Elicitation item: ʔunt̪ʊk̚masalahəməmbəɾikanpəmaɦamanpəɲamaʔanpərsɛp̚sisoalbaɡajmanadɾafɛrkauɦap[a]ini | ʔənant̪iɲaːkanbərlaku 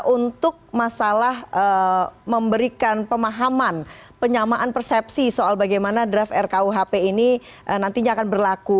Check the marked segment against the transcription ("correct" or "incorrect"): incorrect